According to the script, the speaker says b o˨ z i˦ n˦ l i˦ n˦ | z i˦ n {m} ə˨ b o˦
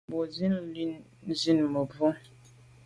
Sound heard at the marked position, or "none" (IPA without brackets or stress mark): m